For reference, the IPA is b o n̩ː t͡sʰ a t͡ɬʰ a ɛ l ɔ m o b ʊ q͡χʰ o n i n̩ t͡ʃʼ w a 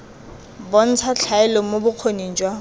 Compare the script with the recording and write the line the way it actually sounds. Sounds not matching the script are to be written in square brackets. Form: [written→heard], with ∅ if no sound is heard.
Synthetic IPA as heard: b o [n̩ː→n̩] t͡sʰ a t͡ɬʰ a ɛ l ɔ m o b ʊ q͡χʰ o n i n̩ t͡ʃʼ w a